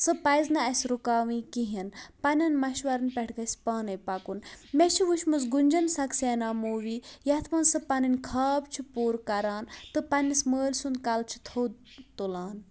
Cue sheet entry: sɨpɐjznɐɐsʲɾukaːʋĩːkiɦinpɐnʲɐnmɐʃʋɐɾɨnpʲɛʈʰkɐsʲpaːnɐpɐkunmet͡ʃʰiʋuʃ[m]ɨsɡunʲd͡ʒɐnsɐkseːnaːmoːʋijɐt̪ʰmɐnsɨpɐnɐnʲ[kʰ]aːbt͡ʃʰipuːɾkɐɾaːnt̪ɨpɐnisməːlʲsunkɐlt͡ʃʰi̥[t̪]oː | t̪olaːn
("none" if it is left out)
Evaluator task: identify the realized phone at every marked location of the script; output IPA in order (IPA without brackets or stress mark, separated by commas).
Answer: m, kʰ, t̪ʰ